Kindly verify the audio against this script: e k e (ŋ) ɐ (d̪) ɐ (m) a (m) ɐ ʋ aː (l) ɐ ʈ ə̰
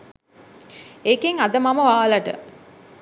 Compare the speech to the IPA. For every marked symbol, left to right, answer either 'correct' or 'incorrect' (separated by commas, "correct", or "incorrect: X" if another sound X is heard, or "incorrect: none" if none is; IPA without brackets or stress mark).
correct, correct, correct, correct, correct